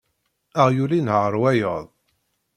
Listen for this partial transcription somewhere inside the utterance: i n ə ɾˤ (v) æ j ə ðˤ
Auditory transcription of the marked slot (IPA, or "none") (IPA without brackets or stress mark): w